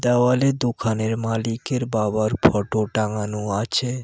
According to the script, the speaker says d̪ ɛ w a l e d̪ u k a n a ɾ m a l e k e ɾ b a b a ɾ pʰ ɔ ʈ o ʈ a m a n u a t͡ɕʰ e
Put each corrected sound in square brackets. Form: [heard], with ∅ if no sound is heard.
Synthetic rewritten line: d̪ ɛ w a l e d̪ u [kʰ] a n [e] ɾ m a l [i] k e ɾ b a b a ɾ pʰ ɔ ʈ o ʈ a [ŋ] a n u a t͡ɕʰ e

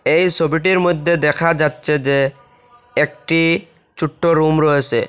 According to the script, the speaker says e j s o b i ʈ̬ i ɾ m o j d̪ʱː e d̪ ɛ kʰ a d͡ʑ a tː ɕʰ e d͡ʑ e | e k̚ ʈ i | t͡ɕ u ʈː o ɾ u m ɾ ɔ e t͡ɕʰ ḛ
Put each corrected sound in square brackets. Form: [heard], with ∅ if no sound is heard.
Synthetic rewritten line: e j s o b i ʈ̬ i ɾ m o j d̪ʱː e d̪ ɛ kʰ a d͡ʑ a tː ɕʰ e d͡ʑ e | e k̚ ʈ i | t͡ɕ u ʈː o ɾ u m ɾ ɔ e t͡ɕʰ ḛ

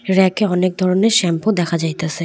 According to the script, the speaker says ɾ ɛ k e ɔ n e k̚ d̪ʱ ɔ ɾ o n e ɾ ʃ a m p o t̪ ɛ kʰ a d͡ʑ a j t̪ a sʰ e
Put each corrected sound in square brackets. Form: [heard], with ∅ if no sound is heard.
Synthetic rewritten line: ɾ ɛ k e ɔ n e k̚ d̪ʱ ɔ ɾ o n e ɾ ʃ [ɛ] m p o [d̪] ɛ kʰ a d͡ʑ a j t̪ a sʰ e

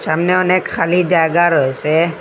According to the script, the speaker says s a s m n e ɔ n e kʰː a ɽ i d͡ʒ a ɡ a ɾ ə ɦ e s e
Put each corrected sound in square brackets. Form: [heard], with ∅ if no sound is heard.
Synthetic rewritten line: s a [∅] m n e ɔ n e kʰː a [l] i d͡ʒ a ɡ a ɾ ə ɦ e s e

